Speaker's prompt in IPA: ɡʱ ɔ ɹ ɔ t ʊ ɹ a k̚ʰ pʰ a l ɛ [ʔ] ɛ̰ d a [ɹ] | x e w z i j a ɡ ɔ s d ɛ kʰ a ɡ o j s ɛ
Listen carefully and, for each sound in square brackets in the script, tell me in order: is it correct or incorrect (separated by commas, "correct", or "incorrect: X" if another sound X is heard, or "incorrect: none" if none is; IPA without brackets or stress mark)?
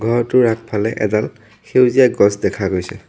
correct, incorrect: l